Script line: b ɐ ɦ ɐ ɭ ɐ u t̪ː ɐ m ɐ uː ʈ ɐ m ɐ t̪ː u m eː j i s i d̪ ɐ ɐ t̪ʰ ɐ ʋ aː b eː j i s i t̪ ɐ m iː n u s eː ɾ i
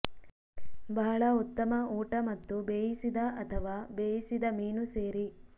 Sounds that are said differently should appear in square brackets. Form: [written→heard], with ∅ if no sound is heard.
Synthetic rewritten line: b ɐ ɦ ɐ ɭ ɐ u t̪ː ɐ m ɐ uː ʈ ɐ m ɐ t̪ː u [m→b] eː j i s i d̪ ɐ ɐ t̪ʰ ɐ ʋ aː b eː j i s i [t̪→d̪] ɐ m iː n u s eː ɾ i

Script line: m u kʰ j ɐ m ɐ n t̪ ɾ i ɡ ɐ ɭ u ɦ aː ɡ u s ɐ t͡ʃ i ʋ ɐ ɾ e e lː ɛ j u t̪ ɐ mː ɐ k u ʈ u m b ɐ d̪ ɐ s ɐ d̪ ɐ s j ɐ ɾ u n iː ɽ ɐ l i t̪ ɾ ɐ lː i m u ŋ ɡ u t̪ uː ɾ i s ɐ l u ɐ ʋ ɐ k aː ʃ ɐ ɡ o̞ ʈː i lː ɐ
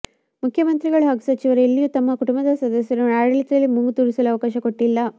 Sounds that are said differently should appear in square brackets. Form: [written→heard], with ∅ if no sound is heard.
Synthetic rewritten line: m u kʰ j ɐ m ɐ n t̪ ɾ i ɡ ɐ ɭ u ɦ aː ɡ u s ɐ t͡ʃ i ʋ ɐ ɾ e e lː [ɛ→i] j u t̪ ɐ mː ɐ k u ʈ u m b ɐ d̪ ɐ s ɐ d̪ ɐ s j ɐ ɾ u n [iː→aː] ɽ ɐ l i t̪ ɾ ɐ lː i m u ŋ ɡ u t̪ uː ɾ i s ɐ l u ɐ ʋ ɐ k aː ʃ ɐ [ɡ→k] o̞ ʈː i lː ɐ

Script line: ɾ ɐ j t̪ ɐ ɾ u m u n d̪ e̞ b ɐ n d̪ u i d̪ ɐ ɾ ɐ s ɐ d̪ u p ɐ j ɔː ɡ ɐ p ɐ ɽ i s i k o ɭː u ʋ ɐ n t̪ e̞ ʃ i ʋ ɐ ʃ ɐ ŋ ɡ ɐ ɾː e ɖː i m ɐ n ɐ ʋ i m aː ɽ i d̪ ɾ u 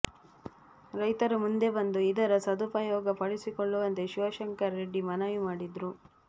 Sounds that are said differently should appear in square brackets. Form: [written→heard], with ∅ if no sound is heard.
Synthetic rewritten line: ɾ ɐ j t̪ ɐ ɾ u m u n d̪ e̞ b ɐ n d̪ u i d̪ ɐ ɾ ɐ s ɐ d̪ u p ɐ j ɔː ɡ ɐ p ɐ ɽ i s i k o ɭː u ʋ ɐ n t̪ e̞ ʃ i ʋ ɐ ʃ ɐ ŋ [ɡ→k] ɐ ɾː e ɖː i m ɐ n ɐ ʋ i m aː ɽ i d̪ ɾ u

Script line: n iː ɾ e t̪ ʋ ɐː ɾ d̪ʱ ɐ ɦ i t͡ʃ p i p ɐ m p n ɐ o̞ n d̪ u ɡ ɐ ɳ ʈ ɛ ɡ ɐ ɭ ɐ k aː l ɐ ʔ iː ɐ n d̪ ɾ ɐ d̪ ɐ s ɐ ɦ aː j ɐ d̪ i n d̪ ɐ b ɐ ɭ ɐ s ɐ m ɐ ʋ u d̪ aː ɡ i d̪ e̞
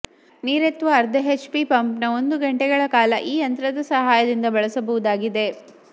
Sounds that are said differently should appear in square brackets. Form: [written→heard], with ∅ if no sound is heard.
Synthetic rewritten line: n iː ɾ e t̪ ʋ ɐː ɾ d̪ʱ ɐ ɦ [i→e] t͡ʃ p i p ɐ m p n ɐ o̞ n d̪ u ɡ ɐ ɳ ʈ ɛ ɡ ɐ ɭ ɐ k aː l ɐ ʔ iː ɐ n [d̪→t̪] ɾ ɐ d̪ ɐ s ɐ ɦ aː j ɐ d̪ i n d̪ ɐ b ɐ ɭ ɐ s ɐ [m→b] ɐ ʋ u d̪ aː ɡ i d̪ e̞

